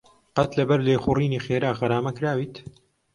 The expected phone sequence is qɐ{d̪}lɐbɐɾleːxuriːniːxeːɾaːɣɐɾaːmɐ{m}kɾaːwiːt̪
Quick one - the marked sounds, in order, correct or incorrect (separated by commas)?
incorrect, incorrect